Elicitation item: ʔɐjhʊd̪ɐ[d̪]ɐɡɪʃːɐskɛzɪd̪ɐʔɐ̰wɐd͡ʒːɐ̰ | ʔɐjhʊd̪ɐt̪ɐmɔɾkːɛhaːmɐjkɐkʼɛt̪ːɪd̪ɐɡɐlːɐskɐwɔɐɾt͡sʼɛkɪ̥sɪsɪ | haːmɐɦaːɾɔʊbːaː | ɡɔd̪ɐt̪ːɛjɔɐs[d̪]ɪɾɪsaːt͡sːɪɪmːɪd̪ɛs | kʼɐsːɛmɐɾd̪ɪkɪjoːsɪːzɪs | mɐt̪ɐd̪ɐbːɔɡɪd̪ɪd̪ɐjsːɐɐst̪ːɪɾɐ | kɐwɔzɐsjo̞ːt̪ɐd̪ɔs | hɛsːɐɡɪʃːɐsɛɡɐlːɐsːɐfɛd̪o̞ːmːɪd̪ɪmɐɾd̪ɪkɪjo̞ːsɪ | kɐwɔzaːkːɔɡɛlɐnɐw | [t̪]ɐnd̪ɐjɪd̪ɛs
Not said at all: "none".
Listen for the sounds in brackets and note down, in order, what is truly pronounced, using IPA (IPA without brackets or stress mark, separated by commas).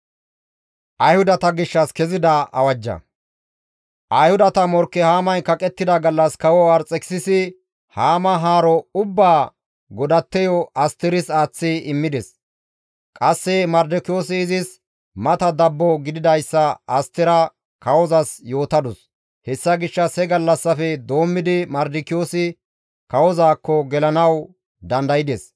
t̪, t̪, d̪